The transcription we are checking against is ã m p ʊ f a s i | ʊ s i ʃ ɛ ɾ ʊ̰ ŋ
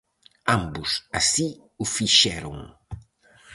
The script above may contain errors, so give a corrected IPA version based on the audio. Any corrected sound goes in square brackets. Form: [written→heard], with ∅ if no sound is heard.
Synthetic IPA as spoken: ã m [p→b] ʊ [f→s] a s i | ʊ [s→f] i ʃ ɛ ɾ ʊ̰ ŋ